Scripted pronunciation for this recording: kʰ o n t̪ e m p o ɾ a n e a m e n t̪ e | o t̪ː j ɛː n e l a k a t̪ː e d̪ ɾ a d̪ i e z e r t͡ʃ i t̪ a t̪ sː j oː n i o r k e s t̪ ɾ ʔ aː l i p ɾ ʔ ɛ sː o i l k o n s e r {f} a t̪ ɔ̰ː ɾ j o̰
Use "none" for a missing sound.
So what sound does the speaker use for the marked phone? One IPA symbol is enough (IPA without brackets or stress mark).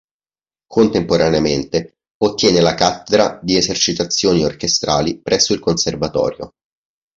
v